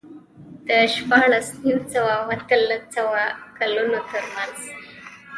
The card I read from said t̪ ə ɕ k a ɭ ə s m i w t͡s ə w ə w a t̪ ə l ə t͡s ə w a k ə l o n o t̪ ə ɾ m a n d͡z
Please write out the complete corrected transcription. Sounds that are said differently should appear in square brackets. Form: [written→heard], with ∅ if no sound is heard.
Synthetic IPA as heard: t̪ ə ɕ [k→p] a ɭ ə s [m→n] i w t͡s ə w [ə→a] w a t̪ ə l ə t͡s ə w a k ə l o n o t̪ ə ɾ m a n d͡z